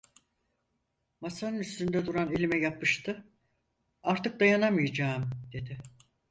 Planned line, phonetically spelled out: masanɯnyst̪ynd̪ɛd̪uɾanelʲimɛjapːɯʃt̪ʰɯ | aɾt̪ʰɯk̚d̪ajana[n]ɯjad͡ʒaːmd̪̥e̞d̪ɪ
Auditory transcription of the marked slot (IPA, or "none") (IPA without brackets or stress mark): m